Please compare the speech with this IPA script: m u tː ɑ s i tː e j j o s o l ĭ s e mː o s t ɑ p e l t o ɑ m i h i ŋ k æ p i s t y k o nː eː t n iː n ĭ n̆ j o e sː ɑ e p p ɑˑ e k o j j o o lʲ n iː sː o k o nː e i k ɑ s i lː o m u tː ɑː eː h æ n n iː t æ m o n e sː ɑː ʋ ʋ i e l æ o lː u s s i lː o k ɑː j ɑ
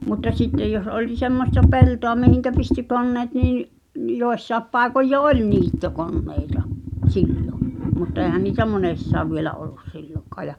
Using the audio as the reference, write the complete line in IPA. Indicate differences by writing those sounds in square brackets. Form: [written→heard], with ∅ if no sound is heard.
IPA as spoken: m u tː ɑ s i tː e j j o s o l ĭ s e mː o s t ɑ p e l t o ɑ m i h i ŋ k æ p i s t y k o nː eː t n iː n ĭ n̆ j o e sː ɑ e p p ɑˑ e k o j j o o lʲ n iː [sː→tː] o k o nː e i [k→t] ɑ s i lː o m u tː [ɑː→ɑ] eː h æ n n iː t æ m o n e sː ɑː ʋ ʋ i e l æ o lː u s s i lː o k ɑː j ɑ